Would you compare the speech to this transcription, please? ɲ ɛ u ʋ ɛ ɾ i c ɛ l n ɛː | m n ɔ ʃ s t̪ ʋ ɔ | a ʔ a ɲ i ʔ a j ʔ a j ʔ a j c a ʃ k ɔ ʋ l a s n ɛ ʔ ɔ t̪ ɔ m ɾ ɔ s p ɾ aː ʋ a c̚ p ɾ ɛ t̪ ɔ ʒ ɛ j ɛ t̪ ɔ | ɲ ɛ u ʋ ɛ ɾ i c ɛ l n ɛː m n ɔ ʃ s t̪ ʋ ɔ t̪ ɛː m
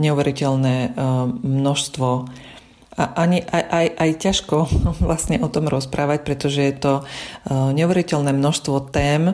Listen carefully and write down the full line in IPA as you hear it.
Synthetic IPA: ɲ ɛ u ʋ ɛ ɾ i c ɛ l n ɛː | m n ɔ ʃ s t̪ ʋ ɔ | a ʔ a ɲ i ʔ a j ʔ a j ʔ a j c a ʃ k ɔ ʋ l a s ɲ ɛ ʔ ɔ t̪ ɔ m ɾ ɔ s p ɾ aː ʋ a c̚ p ɾ ɛ t̪ ɔ ʒ ɛ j ɛ t̪ ɔ | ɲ ɛ u ʋ ɛ ɾ i c ɛ l n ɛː m n ɔ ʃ s t̪ ʋ ɔ t̪ ɛː m